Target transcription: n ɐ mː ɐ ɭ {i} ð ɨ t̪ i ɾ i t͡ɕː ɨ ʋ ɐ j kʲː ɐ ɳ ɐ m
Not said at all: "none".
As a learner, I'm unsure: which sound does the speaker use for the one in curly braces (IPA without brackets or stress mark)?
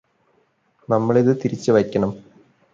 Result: i